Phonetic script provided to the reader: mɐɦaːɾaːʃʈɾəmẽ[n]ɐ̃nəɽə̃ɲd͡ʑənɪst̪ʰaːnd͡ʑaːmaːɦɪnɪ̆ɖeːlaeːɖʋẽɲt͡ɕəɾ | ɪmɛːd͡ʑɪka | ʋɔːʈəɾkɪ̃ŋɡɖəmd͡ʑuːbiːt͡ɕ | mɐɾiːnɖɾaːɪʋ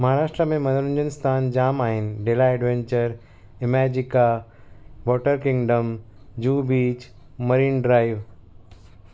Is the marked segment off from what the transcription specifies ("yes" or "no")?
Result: yes